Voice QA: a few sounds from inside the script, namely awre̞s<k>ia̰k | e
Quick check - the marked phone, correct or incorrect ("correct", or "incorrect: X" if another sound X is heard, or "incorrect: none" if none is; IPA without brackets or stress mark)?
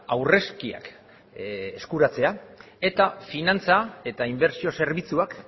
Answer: correct